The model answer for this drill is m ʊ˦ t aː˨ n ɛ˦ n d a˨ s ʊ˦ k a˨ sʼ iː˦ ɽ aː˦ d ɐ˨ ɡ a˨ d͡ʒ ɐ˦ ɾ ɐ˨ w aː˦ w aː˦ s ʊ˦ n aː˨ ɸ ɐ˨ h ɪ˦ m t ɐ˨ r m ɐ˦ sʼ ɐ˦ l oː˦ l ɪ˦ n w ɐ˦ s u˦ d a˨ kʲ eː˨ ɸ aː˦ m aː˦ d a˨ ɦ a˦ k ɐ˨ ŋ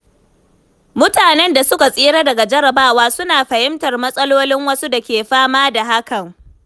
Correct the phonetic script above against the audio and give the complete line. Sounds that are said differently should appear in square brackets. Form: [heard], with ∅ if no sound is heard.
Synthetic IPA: m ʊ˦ t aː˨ n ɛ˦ n d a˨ s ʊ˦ k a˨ sʼ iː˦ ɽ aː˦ d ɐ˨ ɡ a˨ d͡ʒ ɐ˦ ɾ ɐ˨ [b] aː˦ w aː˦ s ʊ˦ n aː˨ ɸ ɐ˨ h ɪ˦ m t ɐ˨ r m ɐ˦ sʼ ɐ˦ l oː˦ l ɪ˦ [ŋ] w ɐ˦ s u˦ d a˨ kʲ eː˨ ɸ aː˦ m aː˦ d a˨ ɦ a˦ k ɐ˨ ŋ